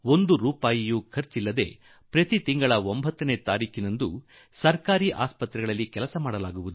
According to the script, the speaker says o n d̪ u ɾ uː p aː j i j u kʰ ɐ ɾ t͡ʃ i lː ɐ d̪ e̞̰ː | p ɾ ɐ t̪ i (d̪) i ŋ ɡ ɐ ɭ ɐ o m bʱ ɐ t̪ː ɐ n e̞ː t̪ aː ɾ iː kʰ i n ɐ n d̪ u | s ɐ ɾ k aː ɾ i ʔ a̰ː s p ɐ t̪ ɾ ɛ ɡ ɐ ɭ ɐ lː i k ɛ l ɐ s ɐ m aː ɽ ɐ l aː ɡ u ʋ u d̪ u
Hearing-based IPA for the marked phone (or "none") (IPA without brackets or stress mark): t̪